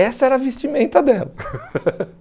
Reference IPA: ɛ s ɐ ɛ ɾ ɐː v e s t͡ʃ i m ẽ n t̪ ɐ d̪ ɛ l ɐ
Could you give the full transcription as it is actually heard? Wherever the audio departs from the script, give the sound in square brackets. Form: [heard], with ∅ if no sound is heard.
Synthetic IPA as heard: ɛ s ɐ ɛ ɾ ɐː v e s t͡ʃ i m ẽ n t̪ ɐ d̪ ɛ l ɐ